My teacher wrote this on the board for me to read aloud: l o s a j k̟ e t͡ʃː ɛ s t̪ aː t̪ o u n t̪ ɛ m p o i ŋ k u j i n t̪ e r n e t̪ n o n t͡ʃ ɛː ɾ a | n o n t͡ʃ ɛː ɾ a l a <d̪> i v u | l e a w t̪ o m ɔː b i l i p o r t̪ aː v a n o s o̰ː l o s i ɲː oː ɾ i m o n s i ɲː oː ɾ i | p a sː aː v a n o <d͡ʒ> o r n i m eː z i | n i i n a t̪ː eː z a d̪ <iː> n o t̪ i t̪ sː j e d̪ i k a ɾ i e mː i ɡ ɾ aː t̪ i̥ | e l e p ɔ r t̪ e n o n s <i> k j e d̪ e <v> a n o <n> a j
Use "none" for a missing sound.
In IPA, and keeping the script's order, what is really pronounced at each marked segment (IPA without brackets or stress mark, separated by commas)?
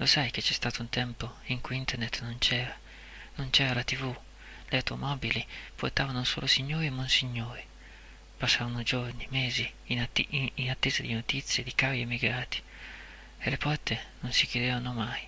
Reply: t̪, d͡ʒ, i, i, v, m